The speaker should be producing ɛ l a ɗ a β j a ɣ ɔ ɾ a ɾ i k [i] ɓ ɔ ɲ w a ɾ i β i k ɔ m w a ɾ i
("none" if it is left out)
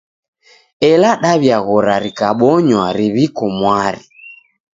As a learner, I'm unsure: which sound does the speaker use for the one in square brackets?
a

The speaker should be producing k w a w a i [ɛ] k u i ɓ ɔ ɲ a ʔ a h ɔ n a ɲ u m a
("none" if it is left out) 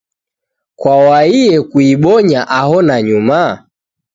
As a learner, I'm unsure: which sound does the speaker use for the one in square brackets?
ɛ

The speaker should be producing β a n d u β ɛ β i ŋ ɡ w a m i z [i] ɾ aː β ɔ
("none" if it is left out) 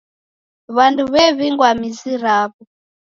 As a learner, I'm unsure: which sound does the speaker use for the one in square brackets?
i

